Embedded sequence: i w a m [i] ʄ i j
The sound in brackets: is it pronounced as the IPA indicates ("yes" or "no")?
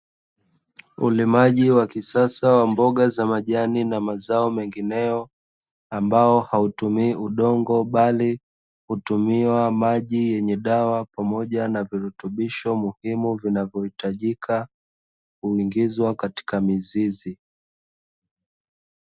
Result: no